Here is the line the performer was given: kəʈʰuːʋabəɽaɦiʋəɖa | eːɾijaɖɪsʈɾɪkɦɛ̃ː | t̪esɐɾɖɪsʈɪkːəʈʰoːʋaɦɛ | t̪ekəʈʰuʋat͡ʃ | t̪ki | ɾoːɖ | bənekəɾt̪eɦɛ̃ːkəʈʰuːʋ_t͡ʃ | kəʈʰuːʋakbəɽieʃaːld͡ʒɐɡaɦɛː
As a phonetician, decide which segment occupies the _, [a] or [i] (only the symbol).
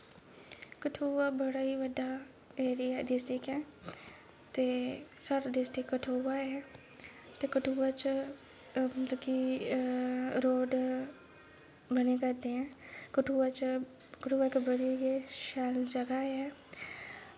a